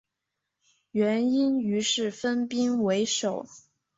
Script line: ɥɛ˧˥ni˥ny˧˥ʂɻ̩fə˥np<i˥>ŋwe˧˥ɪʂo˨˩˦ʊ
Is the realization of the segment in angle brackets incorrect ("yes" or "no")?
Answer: no